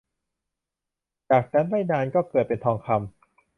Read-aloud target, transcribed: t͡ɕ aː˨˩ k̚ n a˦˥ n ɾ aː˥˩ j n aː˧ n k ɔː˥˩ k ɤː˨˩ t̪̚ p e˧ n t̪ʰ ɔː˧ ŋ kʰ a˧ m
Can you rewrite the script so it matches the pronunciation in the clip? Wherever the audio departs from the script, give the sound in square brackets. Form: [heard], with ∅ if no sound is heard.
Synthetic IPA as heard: t͡ɕ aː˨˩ k̚ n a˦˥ n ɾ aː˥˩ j n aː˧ n k ɔː˥˩ k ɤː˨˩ t̪̚ p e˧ n t̪ʰ ɔː˧ ŋ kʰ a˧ m